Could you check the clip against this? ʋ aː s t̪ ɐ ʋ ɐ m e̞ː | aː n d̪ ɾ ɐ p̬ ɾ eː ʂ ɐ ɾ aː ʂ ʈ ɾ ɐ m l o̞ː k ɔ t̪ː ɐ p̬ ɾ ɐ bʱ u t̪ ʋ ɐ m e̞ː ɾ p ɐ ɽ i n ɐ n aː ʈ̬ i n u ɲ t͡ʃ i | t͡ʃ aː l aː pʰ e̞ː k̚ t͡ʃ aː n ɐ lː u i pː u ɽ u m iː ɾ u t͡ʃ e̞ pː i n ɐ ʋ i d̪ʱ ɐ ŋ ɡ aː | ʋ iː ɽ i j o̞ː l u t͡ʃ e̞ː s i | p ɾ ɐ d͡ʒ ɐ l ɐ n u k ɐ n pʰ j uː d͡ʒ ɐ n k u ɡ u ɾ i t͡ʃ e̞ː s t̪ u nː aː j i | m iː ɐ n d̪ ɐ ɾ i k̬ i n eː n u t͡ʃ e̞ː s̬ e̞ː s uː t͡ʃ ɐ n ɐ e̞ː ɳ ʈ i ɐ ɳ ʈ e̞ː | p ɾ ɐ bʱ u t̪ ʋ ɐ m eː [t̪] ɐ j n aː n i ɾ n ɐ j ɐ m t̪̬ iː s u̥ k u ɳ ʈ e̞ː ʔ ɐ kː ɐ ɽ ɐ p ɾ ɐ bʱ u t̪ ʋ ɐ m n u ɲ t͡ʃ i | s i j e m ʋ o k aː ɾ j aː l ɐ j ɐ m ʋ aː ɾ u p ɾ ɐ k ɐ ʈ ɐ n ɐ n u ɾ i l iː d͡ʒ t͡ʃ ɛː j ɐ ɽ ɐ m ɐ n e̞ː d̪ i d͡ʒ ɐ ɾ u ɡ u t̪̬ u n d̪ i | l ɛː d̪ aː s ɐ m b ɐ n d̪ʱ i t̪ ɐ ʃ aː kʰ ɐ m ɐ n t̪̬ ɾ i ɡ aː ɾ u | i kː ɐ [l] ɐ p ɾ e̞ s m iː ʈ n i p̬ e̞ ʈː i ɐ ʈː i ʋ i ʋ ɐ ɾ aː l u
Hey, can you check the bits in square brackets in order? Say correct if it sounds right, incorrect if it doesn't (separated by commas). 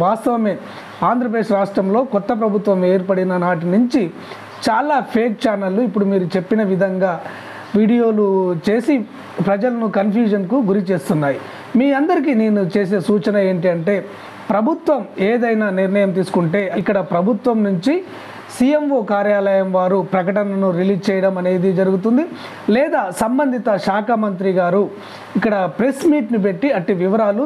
incorrect, incorrect